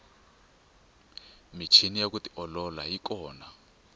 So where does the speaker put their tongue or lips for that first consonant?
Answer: lips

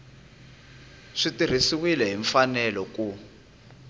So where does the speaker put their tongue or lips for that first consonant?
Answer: retroflex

